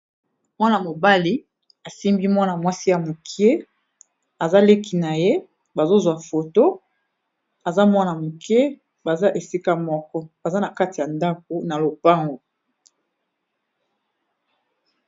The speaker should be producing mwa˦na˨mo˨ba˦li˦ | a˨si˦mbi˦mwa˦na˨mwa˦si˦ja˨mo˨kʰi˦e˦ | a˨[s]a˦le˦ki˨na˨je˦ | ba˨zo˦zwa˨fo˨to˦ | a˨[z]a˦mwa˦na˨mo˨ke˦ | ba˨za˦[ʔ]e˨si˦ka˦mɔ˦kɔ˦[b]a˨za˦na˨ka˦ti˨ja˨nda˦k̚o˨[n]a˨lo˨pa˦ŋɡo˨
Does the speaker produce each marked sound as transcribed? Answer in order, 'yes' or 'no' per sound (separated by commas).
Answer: no, yes, yes, yes, yes